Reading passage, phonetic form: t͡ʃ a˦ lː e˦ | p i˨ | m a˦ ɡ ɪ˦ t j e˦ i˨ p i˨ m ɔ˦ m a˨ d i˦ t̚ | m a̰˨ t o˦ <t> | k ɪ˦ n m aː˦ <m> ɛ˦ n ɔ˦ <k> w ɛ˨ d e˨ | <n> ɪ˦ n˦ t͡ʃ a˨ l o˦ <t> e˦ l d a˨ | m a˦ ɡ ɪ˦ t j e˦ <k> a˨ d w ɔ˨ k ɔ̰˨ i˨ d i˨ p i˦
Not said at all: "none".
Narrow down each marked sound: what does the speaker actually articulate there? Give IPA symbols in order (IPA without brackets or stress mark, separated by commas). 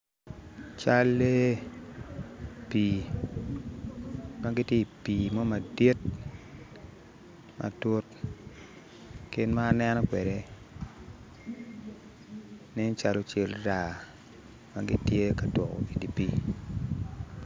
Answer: t, n, k, n, t͡ʃ, k